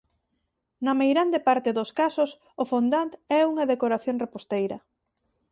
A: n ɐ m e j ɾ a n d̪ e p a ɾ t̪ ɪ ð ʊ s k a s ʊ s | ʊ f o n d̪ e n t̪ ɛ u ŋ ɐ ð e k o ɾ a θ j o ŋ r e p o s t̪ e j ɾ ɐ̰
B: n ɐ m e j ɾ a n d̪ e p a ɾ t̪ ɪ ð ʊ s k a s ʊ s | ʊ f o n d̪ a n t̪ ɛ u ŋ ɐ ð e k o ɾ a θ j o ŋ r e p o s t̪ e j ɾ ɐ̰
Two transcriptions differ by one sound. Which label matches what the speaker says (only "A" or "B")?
B